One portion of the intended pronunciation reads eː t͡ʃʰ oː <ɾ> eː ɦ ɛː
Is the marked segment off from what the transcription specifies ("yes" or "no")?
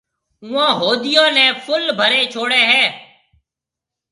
yes